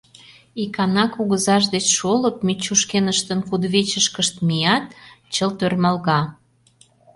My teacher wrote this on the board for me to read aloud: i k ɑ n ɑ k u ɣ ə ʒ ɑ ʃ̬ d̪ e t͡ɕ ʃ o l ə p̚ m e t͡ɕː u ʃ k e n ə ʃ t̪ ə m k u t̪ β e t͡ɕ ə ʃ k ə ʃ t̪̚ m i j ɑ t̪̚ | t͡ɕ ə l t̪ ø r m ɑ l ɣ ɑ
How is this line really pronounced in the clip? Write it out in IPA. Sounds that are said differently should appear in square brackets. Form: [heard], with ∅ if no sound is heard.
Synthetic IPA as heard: i k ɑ n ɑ k u ɣ ə [z] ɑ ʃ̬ d̪ e t͡ɕ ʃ o l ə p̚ m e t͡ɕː u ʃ k e n ə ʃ t̪ ə [n] k u [d̪] β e t͡ɕ ə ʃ k ə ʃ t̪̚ m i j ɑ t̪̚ | t͡ɕ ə l t̪ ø r m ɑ l ɣ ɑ

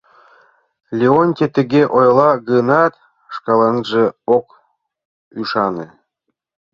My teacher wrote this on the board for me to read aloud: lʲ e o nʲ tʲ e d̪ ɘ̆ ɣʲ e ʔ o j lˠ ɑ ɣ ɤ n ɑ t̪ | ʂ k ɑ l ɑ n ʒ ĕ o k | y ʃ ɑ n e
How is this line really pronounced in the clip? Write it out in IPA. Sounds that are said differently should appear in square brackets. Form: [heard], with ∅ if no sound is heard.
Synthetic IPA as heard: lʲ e o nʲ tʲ e [t̪] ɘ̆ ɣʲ e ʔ o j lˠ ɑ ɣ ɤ n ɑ t̪ | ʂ k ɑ l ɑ n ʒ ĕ o k | y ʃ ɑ n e

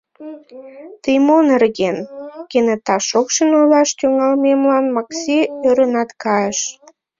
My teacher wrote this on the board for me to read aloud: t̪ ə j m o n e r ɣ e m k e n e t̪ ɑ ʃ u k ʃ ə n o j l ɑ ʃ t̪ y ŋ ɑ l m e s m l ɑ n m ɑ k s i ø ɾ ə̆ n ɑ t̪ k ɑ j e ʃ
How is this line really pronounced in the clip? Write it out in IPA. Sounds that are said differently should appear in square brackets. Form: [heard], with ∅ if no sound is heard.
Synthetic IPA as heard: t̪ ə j m o n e r ɣ e [n] k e n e t̪ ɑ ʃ [o] k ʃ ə n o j l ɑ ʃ t̪ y ŋ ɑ l m e [∅] m l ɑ n m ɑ k s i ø ɾ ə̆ n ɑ t̪ k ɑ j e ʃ

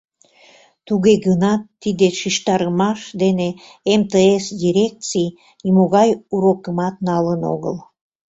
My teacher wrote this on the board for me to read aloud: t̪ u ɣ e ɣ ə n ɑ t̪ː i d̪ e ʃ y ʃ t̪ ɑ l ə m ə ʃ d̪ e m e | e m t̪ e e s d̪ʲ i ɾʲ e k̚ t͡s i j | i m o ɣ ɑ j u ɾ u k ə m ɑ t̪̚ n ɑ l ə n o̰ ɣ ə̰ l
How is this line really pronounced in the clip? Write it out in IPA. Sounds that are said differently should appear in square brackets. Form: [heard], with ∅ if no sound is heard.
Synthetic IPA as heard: t̪ u ɣ e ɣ ə n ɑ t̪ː i d̪ e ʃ [i] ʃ t̪ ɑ [ɾ] ə m [ɑ] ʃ d̪ e [n] e | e m t̪ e e s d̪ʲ i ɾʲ e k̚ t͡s i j | i m o ɣ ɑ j u ɾ [o] k ə m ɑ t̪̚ n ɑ l ə n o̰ ɣ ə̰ l

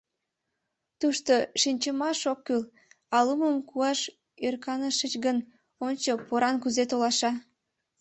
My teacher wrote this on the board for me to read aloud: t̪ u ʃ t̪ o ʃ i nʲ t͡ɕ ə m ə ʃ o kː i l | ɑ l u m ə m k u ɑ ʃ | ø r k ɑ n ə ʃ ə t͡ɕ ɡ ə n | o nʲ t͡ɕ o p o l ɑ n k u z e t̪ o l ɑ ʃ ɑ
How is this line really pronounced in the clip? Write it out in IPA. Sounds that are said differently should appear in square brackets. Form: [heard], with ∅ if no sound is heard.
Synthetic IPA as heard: t̪ u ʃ t̪ o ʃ i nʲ t͡ɕ ə m [ɑ] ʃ o kː [y] l | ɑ l u m ə m k u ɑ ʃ | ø r k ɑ n ə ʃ ə t͡ɕ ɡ ə n | o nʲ t͡ɕ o p o [ɾ] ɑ n k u z e t̪ o l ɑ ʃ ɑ

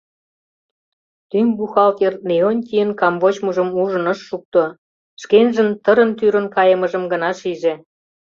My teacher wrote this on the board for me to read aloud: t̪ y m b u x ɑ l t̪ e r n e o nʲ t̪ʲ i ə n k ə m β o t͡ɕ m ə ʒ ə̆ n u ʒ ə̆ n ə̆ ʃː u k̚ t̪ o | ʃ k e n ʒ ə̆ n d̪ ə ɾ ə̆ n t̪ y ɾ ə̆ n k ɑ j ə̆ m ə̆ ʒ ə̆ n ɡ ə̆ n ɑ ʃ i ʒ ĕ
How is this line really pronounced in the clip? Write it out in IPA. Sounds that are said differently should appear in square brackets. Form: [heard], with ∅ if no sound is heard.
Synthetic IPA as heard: t̪ y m b u x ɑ l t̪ e r n e o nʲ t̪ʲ i ə n k [ɑ] m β o t͡ɕ m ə ʒ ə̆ [m] u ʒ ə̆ n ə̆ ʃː u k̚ t̪ o | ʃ k e n ʒ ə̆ n [t̪] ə ɾ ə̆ n t̪ y ɾ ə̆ n k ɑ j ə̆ m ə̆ ʒ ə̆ [m] ɡ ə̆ n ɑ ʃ i ʒ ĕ

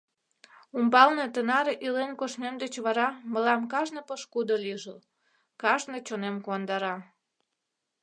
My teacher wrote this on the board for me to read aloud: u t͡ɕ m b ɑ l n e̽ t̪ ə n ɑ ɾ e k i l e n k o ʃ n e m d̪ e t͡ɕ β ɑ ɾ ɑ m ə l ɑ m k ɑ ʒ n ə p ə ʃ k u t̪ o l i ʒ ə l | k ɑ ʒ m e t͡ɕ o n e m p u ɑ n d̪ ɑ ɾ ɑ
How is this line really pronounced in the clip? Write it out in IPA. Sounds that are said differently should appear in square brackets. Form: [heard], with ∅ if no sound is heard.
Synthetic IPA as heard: u [∅] m b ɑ l n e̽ t̪ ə n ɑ ɾ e [ʔ] i l e n k o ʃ n e m d̪ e t͡ɕ β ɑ ɾ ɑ m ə l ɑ m k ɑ ʒ n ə p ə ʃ k u [d̪] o l i ʒ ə l | k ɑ ʒ [n] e t͡ɕ o n e m [k] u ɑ n d̪ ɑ ɾ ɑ

